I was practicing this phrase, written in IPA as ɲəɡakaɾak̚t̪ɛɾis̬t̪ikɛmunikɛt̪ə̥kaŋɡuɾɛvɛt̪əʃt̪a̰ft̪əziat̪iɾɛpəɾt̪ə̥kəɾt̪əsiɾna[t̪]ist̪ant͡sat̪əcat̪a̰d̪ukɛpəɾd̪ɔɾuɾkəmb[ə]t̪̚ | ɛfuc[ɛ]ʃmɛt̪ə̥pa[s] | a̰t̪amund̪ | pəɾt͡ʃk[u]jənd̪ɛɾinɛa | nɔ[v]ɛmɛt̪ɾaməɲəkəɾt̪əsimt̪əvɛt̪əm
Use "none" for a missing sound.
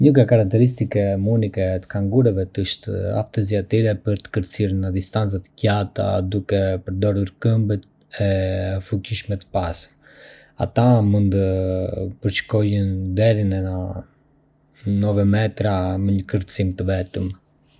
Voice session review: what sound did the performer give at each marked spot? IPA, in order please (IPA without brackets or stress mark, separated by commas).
d̪, ə, i, s, ɔ, v